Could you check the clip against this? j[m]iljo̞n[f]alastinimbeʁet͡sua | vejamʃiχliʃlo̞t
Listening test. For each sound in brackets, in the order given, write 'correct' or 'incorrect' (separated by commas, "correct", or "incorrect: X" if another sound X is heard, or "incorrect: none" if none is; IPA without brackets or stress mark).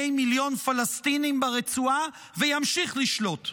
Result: correct, correct